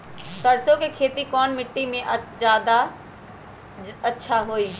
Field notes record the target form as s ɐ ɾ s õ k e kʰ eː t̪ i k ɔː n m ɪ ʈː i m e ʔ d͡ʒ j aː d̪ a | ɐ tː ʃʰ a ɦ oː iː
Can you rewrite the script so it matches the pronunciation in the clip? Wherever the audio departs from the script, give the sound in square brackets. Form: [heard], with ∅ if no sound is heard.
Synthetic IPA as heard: s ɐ ɾ s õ k e kʰ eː t̪ i k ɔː n m ɪ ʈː i m [ẽ] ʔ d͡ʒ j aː d̪ a | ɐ tː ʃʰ a ɦ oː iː